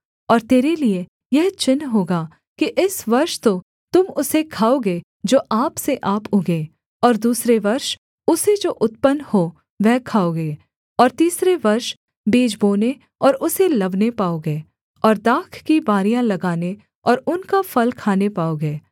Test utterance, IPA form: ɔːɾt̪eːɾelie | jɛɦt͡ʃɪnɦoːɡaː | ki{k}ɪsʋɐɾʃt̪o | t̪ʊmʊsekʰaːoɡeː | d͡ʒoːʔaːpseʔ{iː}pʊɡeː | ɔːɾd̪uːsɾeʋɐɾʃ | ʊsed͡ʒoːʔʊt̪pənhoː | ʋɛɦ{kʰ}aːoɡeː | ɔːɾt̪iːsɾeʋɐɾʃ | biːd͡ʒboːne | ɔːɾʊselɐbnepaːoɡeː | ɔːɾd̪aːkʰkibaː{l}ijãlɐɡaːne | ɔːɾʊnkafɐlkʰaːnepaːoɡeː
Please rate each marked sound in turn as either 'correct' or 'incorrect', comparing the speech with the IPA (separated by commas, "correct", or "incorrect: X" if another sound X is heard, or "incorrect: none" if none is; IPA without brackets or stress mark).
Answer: incorrect: ʔ, incorrect: aː, correct, incorrect: ɾ